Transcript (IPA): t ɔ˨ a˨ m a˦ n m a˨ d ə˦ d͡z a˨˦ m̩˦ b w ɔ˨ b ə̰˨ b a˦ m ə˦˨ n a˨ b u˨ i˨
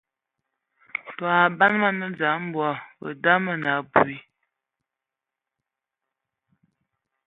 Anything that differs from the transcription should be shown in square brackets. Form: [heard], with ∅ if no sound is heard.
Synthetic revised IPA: t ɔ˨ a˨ [b] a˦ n m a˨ [n] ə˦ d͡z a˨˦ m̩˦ b w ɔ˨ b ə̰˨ [d] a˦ m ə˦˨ n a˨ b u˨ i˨